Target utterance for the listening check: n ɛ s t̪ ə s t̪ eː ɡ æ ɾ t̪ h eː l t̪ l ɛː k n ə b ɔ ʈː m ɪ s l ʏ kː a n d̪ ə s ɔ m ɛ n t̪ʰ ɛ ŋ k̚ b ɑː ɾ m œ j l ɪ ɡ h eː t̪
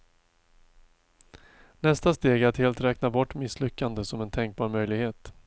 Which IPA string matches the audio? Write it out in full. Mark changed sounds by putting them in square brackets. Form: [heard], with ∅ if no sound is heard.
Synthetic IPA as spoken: n ɛ s t̪ [a] s t̪ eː ɡ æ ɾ t̪ h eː l t̪ [ɾ] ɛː k n [a] b ɔ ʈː m ɪ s l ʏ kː a n d̪ ə s ɔ m ɛ n t̪ʰ ɛ ŋ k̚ b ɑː ɾ m œ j l ɪ ɡ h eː t̪